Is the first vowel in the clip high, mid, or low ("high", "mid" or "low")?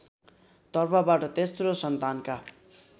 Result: mid